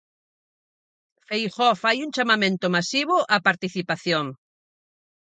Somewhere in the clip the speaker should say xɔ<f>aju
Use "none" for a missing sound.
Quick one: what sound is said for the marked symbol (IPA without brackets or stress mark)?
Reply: f